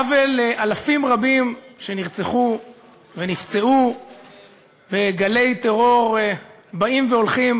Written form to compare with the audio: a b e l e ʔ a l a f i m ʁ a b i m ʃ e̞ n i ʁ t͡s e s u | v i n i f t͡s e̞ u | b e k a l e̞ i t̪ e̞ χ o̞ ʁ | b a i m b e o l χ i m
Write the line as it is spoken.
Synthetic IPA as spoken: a v e l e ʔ a l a f i m ʁ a b i m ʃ e̞ n i ʁ t͡s e χ u | v e n i f t͡s e̞ u | b e ɡ a l e̞ j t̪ e̞ ʁ o̞ ʁ | b a i m v e o l χ i m